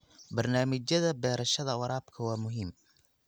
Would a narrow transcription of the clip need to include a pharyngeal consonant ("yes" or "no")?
no